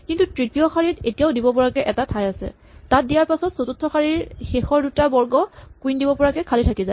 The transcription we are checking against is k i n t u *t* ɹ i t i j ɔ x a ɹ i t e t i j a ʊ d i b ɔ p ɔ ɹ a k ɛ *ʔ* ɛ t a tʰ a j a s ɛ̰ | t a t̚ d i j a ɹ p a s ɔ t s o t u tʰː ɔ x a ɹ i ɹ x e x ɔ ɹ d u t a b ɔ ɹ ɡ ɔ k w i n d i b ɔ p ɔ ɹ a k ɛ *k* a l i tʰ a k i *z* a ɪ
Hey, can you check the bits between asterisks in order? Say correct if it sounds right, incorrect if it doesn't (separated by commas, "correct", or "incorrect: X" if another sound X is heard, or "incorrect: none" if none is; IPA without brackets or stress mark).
correct, correct, incorrect: kʰ, correct